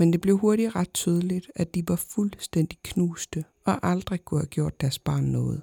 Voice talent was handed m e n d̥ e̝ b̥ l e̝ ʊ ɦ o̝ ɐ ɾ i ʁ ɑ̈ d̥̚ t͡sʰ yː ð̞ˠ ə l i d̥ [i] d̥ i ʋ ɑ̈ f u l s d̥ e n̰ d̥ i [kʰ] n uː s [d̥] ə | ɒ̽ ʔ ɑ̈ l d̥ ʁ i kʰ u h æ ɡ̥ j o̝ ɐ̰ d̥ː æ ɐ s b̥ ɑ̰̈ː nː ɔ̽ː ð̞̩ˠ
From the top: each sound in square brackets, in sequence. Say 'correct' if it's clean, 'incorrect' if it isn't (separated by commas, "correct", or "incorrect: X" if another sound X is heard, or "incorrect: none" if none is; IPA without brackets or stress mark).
incorrect: æ, correct, correct